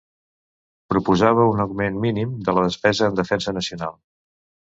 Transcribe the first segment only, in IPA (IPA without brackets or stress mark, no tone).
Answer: p